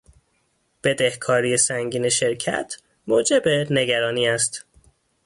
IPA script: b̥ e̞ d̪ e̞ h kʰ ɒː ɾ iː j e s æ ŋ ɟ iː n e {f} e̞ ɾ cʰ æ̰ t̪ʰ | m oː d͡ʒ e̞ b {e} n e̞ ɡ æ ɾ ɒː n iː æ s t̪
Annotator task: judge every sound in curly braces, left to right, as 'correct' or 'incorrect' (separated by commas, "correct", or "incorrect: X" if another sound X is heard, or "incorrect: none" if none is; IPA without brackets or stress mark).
incorrect: ʃ, correct